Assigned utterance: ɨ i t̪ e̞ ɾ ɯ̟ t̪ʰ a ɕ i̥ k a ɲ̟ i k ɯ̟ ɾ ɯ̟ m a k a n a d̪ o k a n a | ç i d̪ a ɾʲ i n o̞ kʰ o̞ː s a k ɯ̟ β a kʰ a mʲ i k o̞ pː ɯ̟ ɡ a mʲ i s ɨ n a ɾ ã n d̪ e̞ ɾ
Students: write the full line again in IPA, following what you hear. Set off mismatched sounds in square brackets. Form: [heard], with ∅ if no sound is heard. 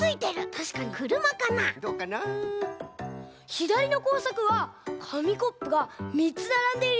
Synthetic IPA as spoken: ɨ i t̪ e̞ ɾ ɯ̟ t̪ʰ a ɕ i̥ k a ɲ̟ i k ɯ̟ ɾ ɯ̟ m a k a n a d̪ o k a n a | ç i d̪ a ɾʲ i n o̞ [k] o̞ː s a k ɯ̟ β a kʰ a mʲ i k o̞ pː ɯ̟ ɡ a mʲ i [t͡s] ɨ n a ɾ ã n d̪ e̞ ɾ